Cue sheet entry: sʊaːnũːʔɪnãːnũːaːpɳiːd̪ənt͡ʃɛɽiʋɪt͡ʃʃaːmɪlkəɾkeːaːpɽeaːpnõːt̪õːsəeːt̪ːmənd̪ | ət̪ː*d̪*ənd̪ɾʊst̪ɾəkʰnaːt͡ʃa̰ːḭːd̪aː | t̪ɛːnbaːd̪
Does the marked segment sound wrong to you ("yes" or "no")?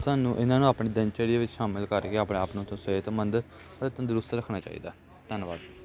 yes